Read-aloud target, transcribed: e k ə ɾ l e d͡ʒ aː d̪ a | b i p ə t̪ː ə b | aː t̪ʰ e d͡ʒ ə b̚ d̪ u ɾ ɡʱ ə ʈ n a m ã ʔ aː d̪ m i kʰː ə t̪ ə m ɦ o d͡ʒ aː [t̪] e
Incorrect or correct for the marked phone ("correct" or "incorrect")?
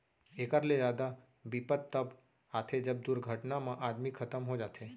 incorrect